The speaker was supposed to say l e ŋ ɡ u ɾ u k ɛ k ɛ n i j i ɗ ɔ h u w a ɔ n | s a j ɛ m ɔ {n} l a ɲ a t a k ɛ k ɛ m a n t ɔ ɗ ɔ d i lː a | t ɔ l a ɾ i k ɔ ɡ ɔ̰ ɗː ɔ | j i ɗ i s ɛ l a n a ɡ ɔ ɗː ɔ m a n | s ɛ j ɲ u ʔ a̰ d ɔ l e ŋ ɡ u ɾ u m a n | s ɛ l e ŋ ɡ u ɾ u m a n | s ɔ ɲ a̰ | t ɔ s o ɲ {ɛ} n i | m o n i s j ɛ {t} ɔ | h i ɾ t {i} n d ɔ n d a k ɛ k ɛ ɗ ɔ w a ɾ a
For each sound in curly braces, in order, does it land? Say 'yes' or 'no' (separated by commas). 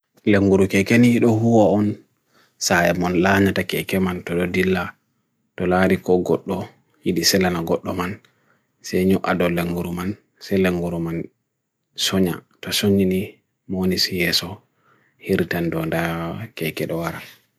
yes, no, no, no